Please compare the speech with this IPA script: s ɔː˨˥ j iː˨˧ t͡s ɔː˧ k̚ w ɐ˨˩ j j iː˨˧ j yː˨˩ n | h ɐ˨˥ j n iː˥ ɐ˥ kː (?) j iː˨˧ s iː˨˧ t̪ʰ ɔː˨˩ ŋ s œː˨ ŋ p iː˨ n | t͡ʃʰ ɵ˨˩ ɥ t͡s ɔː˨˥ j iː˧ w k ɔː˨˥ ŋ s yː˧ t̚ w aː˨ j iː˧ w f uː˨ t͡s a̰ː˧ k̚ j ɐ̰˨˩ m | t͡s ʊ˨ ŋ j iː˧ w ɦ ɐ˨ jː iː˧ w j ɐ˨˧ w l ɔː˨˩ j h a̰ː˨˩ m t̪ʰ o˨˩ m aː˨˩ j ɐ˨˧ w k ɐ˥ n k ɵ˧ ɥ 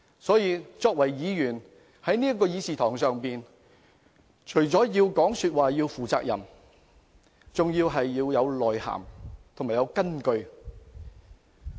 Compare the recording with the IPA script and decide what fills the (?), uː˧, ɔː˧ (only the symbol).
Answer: ɔː˧